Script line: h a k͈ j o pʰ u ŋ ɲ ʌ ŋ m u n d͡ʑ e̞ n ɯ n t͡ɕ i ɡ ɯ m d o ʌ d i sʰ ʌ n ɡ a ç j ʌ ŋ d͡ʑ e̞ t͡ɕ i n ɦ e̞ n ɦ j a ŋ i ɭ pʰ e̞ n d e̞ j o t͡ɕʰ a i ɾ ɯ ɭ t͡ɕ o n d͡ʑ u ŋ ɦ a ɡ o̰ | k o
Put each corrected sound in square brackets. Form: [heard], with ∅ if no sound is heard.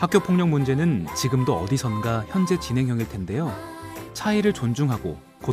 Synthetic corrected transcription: h a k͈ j o pʰ [o] ŋ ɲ ʌ ŋ m u n d͡ʑ e̞ n ɯ n t͡ɕ i ɡ ɯ m d o ʌ d i sʰ ʌ n ɡ a ç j ʌ [n] d͡ʑ e̞ t͡ɕ i n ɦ e̞ [ŋ] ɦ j [ʌ] ŋ i ɭ [tʰ] e̞ n d e̞ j o t͡ɕʰ a i ɾ ɯ ɭ t͡ɕ o n d͡ʑ u ŋ ɦ a ɡ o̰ | k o